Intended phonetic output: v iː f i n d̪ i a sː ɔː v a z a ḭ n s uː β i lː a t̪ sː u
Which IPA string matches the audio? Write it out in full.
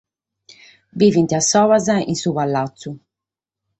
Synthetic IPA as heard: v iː v i n t̪ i a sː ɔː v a z a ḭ n s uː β a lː a t̪ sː u